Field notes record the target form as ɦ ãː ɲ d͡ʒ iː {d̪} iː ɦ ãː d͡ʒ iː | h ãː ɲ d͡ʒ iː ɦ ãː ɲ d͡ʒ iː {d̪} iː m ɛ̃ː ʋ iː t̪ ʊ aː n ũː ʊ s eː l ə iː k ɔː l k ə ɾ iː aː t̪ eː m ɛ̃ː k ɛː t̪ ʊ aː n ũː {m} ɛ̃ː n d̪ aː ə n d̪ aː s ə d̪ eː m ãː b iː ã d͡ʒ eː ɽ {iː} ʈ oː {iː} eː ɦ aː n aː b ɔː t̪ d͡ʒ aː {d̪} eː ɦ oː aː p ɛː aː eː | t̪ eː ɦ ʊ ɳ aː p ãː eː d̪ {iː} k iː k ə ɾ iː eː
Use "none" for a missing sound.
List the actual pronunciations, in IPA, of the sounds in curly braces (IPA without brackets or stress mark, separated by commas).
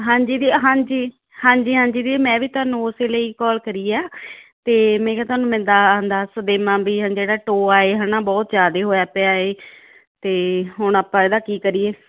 d̪, d̪, m, aː, aː, d̪, aː